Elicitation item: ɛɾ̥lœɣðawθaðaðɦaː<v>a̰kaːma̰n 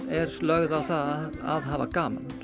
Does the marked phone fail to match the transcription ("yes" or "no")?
no